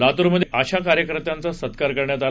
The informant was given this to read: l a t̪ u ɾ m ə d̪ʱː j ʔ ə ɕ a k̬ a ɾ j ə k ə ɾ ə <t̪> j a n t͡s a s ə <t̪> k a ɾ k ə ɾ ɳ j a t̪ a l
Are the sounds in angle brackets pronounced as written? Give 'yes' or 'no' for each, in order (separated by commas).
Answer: yes, yes